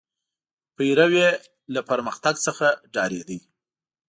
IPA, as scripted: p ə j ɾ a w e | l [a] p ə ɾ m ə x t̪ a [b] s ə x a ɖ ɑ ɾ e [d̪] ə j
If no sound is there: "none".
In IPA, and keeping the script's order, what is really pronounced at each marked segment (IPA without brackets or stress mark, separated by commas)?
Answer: a, ɡ, d̪